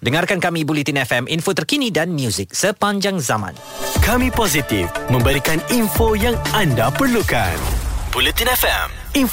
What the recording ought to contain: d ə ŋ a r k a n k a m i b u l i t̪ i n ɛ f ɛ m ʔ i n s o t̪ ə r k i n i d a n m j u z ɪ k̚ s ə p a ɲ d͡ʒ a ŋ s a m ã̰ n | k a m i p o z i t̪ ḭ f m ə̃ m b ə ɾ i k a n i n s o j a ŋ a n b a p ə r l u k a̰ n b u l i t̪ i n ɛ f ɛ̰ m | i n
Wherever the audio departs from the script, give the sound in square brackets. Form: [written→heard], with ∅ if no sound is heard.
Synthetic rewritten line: d ə ŋ a r k a n k a m i b u l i t̪ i n ɛ f ɛ m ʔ i n [s→f] o t̪ ə r k i n i d a n m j u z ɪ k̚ s ə p a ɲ d͡ʒ a ŋ [s→z] a m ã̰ n | k a m i p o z i t̪ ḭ f m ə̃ m b ə ɾ i k a n i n [s→f] o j a ŋ a n [b→d] a p ə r l u k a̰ n b u l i t̪ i n ɛ f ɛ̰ m | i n